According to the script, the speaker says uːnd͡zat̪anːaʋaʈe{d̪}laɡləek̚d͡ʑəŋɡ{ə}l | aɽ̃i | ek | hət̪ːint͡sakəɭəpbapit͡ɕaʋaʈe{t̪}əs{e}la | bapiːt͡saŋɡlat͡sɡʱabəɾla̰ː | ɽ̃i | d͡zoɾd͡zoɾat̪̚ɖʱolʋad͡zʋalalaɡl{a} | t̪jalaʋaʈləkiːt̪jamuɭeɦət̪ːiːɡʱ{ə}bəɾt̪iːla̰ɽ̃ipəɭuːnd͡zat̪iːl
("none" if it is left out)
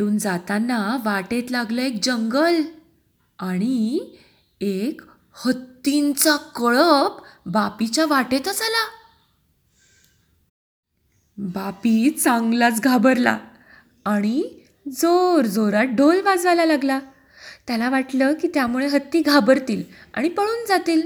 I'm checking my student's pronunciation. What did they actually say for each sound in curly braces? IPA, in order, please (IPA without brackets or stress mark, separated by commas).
t̪, ə, t̪, a, a, a